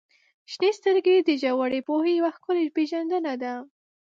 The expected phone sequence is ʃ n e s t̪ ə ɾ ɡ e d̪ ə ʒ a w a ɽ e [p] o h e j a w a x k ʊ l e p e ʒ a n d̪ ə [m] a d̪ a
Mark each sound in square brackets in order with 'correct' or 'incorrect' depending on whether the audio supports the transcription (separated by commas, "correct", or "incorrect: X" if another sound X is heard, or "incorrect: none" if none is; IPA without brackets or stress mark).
correct, incorrect: n